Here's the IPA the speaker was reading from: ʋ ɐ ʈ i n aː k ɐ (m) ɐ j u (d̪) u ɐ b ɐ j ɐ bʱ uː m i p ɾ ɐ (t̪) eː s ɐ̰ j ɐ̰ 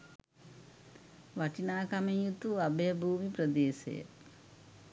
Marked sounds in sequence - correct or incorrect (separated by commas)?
correct, incorrect, incorrect